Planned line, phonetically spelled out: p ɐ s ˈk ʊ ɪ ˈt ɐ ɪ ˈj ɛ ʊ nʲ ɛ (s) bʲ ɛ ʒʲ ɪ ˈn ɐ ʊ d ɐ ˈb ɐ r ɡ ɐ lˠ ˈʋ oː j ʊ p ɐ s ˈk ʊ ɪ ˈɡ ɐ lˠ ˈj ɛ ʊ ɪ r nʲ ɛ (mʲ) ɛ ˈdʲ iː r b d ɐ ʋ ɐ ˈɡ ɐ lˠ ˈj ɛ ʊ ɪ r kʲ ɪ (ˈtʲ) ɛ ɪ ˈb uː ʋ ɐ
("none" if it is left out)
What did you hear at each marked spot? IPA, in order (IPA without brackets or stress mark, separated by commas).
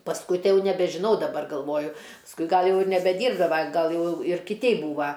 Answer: none, bʲ, tʲ